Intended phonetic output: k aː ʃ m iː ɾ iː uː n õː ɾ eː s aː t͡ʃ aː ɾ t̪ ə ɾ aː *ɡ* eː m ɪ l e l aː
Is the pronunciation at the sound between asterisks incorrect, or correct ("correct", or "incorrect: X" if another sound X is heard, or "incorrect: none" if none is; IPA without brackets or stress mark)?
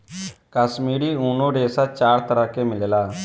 incorrect: k